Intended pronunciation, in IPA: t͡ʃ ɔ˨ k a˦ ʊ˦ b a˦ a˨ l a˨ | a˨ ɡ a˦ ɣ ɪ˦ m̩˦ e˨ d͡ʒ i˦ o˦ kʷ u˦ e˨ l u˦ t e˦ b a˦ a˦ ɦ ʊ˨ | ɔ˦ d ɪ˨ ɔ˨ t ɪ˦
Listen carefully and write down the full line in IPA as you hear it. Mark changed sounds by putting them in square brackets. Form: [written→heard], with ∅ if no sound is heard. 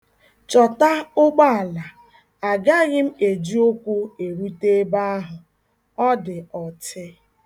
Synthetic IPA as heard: t͡ʃ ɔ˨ [k→t] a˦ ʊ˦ [b→ɡ͡b] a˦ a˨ l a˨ | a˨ ɡ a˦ ɣ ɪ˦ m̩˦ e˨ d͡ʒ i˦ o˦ kʷ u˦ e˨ [l→ɾ] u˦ t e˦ b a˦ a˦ ɦ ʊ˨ | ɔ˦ d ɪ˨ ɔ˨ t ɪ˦